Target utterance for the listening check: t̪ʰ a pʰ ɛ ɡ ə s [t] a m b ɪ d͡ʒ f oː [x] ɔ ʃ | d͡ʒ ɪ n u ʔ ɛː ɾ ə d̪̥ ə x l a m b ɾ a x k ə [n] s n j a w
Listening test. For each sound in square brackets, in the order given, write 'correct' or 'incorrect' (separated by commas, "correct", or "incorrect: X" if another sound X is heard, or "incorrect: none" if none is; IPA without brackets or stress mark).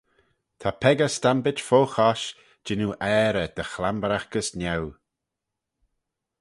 correct, correct, incorrect: none